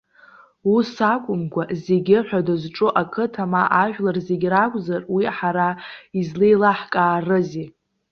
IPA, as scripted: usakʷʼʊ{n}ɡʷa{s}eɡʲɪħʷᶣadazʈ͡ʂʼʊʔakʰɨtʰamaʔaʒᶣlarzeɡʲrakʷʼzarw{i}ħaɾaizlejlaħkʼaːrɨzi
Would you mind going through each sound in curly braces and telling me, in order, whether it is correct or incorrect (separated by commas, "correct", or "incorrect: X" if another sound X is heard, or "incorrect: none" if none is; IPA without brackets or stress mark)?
incorrect: m, incorrect: z, correct